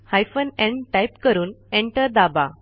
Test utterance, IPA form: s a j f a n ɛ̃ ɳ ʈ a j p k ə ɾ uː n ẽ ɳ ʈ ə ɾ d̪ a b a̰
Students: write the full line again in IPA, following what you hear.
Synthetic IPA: h a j f ə n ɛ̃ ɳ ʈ a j p k ə ɾ uː n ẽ ɳ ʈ ə ɾ d̪ a b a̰

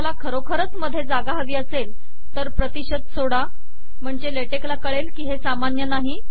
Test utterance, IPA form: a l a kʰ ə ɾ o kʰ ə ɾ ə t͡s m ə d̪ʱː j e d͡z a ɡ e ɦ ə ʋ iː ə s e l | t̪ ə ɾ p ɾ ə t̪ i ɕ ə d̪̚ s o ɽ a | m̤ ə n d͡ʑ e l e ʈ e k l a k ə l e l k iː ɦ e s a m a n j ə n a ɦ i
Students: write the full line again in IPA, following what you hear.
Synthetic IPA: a l a kʰ ə ɾ o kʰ ə ɾ ə t͡s m ə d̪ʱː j e d͡z a ɡ a ɦ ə ʋ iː ə s e l | t̪ ə ɾ p ɾ ə t̪ i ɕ ə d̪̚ s o ɽ a | m̤ ə ɳ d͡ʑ e l e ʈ e k l a k ə ɭ e l k iː ɦ e s a m a n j ə n a ɦ i

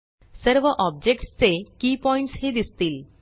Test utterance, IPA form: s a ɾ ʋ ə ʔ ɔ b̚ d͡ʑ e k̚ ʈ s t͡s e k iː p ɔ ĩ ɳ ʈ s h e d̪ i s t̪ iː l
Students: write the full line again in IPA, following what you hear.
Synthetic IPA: s ə ɾ ʋ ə ʔ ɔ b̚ d͡ʑ e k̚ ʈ s t͡s e k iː p ɔ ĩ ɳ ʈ s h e d̪ i s t̪ iː l

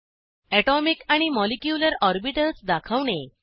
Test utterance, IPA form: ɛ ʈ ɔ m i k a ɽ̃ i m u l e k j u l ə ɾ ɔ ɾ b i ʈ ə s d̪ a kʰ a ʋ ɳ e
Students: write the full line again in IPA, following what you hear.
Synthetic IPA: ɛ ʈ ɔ m i k a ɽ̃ i m ɔ l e k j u l ə ɾ ɔ ɾ b i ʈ ə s d̪ a kʰ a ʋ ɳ e

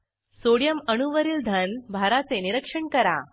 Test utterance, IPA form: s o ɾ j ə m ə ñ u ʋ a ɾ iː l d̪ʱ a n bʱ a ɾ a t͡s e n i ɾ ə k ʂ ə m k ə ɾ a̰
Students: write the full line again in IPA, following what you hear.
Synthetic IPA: s o ɽ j ə m ə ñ u ʋ ə ɾ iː l d̪ʱ ə n bʱ a ɾ a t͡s e n i ɾ ə k ʂ ə ɳ k ə ɾ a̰

